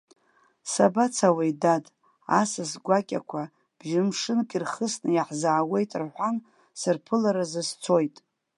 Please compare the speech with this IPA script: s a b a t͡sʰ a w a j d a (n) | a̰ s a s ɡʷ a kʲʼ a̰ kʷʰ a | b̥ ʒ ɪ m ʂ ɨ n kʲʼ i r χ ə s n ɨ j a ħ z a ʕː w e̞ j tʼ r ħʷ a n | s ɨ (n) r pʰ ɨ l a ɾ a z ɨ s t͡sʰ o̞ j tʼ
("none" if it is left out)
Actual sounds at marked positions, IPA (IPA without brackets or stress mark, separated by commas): d, none